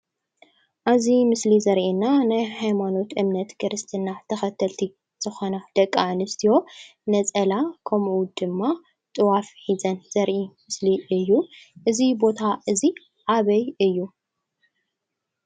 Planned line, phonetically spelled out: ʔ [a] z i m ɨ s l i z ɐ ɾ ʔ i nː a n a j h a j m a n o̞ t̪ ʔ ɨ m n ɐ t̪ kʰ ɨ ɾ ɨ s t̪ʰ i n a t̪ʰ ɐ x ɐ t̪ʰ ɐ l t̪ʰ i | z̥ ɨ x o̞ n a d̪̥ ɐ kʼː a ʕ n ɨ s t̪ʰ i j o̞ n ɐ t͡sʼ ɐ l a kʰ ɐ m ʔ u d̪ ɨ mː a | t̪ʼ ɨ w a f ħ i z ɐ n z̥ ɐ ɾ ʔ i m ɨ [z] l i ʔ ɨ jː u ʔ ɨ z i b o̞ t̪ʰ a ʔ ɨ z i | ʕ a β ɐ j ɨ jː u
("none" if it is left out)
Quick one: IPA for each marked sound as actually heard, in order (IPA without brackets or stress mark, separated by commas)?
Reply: a, s